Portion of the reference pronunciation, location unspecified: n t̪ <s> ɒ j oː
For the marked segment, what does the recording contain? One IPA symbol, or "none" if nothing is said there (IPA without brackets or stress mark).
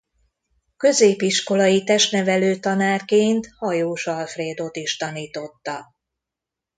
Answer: h